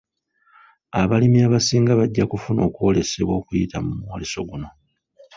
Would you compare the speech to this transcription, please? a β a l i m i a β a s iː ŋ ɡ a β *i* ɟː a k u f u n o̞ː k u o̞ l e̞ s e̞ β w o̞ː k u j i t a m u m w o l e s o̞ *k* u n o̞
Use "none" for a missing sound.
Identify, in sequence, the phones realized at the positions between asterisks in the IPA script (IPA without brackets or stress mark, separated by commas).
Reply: a, ɡ